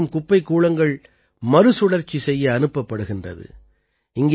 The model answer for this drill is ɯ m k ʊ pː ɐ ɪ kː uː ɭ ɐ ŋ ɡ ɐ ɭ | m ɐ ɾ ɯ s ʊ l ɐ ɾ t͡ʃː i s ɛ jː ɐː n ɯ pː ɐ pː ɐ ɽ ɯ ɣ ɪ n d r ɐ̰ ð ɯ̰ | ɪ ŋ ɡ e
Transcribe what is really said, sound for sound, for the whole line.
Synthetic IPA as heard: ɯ m k ʊ pː ɐ ɪ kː uː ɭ ɐ ŋ ɡ ɐ ɭ | m ɐ ɾ ɯ s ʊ ɽ ɐ ɾ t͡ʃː i s ɛ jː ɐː n ɯ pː ɐ pː ɐ ɽ ɯ ɣ ɪ n d r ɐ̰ ð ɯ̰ | ɪ ŋ ɡ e